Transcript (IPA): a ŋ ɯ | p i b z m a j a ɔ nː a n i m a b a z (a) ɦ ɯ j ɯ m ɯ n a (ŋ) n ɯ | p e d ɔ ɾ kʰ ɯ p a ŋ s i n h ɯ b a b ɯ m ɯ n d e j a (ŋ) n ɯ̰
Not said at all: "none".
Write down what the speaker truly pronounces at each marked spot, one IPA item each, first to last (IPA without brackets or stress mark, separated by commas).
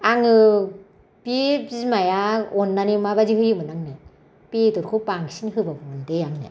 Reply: i, ŋ, ŋ